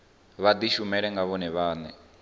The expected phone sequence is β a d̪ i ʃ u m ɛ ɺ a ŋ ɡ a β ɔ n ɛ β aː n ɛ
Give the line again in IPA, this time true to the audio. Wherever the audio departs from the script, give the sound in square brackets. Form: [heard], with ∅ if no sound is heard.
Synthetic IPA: β a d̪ i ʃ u m ɛ ɺ [ɛ] ŋ ɡ a β ɔ n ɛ β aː n ɛ